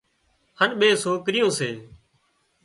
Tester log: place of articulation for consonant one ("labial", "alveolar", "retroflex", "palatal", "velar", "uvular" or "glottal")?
glottal